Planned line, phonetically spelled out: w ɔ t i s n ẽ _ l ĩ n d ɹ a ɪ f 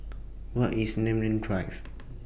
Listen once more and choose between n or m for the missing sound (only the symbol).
m